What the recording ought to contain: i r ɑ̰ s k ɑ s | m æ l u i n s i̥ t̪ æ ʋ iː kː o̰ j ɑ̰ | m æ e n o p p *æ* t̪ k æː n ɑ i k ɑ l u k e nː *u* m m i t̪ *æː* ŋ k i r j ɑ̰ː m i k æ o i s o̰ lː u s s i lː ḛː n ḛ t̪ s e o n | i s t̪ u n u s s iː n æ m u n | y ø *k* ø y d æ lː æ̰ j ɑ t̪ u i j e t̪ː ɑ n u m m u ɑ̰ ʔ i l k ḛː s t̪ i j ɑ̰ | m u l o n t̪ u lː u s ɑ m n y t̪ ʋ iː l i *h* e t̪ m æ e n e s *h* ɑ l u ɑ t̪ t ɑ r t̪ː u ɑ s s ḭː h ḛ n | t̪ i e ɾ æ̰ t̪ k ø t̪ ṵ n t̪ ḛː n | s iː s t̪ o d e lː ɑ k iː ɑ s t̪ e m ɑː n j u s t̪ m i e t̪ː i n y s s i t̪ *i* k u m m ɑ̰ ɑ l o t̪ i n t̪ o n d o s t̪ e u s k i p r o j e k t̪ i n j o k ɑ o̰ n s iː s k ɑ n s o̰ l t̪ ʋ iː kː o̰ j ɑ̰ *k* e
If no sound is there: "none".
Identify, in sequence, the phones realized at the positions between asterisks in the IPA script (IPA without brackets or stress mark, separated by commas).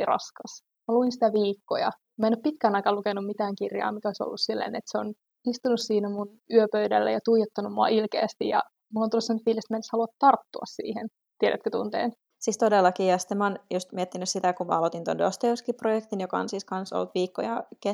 i, u, æː, p, s, h, æ, k